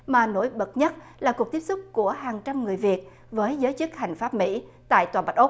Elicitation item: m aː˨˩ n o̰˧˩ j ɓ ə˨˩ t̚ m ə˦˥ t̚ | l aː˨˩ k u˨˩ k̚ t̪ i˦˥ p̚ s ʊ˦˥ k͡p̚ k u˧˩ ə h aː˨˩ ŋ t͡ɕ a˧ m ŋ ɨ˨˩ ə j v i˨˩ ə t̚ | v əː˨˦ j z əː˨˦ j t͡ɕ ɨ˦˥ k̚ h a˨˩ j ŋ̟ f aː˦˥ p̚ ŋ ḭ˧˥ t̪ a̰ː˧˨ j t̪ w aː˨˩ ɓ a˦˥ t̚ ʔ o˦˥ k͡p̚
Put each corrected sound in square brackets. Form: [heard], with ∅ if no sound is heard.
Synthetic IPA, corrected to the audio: m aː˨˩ n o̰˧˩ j ɓ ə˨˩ t̚ [ɲ] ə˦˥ t̚ | l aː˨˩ k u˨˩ k̚ t̪ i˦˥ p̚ s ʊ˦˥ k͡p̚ k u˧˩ ə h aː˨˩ ŋ t͡ɕ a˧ m ŋ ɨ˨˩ ə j v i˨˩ ə t̚ | v əː˨˦ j z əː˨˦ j t͡ɕ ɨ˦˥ k̚ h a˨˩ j ŋ̟ f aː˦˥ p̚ [m] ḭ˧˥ t̪ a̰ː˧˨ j t̪ w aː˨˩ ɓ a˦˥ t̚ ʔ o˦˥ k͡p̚